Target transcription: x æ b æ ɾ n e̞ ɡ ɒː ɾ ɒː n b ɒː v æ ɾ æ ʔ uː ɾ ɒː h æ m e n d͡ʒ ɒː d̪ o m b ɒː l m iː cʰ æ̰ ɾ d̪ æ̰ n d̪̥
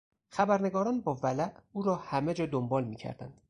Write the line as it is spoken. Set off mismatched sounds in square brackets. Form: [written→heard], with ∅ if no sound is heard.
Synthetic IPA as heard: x æ b æ ɾ n e̞ ɡ ɒː ɾ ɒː n b ɒː v æ [ɾ→l] æ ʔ uː ɾ ɒː h æ m e [n→∅] d͡ʒ ɒː d̪ o m b ɒː l m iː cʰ æ̰ ɾ d̪ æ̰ n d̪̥